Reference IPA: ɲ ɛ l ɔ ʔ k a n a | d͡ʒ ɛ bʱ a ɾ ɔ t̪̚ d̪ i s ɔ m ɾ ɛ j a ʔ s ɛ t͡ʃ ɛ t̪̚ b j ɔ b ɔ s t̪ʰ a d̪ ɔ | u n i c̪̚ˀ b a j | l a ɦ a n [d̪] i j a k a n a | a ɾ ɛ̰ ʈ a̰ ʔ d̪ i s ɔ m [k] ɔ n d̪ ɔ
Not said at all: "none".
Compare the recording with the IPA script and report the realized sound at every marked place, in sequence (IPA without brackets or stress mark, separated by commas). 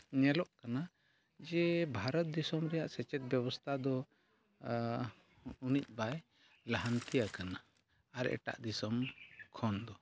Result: t̪, kʰ